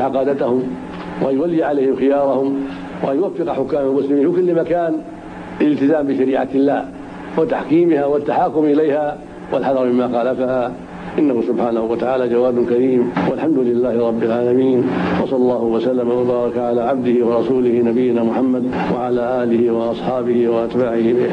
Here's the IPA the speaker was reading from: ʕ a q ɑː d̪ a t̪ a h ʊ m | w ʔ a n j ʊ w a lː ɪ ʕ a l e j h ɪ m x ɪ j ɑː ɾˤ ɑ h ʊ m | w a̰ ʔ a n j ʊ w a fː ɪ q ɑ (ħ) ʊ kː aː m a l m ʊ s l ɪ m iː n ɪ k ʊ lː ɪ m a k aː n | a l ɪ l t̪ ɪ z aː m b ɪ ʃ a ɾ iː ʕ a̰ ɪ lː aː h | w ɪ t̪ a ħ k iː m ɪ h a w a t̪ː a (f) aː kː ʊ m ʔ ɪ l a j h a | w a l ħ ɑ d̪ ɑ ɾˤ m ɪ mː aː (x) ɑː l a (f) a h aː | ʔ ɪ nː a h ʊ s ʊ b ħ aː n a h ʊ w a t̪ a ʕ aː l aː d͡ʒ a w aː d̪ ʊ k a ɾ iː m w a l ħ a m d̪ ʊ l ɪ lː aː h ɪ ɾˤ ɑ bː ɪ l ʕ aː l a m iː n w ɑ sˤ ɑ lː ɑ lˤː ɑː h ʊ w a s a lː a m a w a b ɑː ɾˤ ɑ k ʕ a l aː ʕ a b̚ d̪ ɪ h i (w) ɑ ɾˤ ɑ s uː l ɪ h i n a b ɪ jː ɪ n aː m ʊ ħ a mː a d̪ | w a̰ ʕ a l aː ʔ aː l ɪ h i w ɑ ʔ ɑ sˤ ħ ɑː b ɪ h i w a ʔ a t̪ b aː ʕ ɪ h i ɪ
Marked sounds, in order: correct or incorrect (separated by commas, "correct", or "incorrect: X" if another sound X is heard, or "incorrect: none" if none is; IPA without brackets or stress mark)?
correct, incorrect: ħ, correct, correct, correct